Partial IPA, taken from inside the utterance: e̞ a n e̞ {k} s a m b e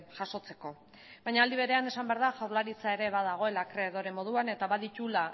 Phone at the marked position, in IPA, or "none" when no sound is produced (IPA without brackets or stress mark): none